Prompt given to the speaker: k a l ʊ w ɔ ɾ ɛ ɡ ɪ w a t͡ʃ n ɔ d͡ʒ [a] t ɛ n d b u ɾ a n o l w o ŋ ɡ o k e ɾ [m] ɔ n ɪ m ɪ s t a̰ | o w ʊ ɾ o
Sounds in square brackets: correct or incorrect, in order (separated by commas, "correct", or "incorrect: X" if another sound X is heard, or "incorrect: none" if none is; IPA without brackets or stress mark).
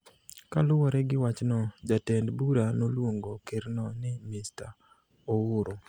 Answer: correct, incorrect: n